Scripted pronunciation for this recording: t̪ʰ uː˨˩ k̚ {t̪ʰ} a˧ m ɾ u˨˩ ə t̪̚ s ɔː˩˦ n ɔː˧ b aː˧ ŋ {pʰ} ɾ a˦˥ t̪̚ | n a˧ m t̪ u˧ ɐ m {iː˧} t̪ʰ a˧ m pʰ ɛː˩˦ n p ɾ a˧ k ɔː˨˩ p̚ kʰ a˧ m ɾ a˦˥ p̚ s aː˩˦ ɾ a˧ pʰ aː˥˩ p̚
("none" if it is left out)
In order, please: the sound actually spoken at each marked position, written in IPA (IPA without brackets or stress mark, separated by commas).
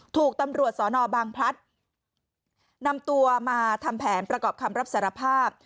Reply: t̪, pʰ, aː˧